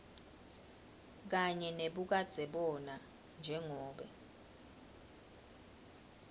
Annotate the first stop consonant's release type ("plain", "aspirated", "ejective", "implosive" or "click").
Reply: plain